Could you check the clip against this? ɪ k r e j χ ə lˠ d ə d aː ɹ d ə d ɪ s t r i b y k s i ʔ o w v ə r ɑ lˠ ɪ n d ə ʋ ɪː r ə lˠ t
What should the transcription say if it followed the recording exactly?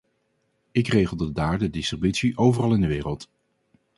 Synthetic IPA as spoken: ɪ k r e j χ ə lˠ d ə d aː ɹ d ə d ɪ s t r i b y t s i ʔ o w v ə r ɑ lˠ ɪ n d ə ʋ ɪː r ə lˠ t